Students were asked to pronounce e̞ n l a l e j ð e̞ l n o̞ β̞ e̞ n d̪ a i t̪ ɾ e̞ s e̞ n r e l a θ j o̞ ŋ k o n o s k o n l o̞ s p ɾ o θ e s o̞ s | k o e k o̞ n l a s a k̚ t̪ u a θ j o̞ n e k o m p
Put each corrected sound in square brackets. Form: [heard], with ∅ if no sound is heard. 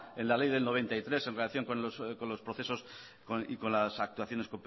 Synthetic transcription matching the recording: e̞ n l a l e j ð e̞ l n o̞ β̞ e̞ n [t̪] a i t̪ ɾ e̞ s e̞ n r e l a θ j o̞ ŋ k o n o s k o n l o̞ s p ɾ o θ e s o̞ s | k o [i] k o̞ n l a s a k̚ t̪ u a θ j o̞ n e k o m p